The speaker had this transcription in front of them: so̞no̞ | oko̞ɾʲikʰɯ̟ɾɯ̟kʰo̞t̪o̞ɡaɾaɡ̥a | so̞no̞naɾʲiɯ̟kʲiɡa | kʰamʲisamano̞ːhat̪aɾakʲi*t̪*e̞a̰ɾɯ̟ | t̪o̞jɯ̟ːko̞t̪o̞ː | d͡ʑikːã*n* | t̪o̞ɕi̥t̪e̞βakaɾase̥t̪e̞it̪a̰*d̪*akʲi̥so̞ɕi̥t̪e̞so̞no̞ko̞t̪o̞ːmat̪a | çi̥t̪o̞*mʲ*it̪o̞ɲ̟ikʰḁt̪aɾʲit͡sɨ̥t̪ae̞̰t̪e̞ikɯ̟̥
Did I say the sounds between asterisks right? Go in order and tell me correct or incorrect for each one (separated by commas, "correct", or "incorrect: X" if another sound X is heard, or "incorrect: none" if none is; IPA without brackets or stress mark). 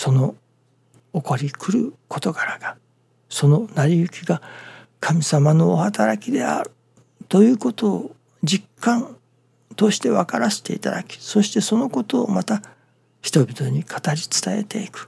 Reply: incorrect: d̪, correct, correct, incorrect: bʲ